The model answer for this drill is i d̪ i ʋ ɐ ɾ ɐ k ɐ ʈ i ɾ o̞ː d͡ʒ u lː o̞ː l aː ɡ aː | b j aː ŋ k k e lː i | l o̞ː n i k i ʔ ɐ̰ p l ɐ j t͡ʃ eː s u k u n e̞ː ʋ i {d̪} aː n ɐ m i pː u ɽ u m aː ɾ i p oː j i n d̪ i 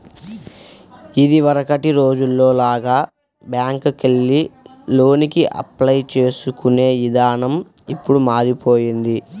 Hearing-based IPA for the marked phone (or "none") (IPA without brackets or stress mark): d̪